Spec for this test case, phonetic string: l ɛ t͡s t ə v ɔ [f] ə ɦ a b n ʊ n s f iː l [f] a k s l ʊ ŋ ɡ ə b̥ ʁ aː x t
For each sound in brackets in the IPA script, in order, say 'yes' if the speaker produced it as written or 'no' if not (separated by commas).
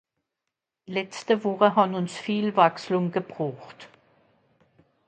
no, no